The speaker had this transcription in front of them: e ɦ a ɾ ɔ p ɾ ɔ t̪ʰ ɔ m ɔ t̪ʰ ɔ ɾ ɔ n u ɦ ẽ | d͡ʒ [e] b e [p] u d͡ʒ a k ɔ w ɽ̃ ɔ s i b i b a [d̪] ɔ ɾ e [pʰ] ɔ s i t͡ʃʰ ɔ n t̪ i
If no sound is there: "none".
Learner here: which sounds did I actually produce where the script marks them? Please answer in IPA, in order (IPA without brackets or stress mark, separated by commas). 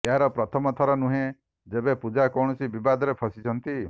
e, p, d̪, pʰ